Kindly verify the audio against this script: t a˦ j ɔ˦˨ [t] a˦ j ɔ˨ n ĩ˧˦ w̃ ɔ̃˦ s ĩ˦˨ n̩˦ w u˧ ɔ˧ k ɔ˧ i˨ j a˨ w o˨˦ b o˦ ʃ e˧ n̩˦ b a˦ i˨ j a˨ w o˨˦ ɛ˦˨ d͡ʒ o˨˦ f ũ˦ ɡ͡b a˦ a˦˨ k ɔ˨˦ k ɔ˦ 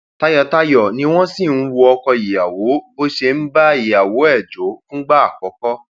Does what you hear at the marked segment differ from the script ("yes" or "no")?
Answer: no